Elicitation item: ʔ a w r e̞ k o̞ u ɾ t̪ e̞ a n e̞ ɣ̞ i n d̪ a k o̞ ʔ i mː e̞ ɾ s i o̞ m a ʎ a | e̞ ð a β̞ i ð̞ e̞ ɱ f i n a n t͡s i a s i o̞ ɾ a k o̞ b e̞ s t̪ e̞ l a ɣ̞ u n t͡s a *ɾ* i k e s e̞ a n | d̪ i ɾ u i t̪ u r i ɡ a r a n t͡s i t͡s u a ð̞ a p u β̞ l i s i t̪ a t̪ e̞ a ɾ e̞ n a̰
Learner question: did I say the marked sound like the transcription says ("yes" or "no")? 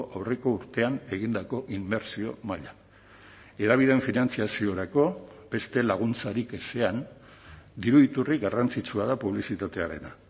yes